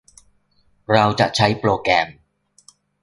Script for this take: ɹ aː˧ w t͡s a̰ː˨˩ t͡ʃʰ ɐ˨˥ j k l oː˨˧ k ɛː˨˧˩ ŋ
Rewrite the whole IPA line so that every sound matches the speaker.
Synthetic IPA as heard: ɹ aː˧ w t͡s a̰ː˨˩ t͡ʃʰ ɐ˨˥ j p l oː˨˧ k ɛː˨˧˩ m